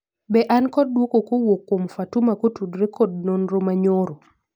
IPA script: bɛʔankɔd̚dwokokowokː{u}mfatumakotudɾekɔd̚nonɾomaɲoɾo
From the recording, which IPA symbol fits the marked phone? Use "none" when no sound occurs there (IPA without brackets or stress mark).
o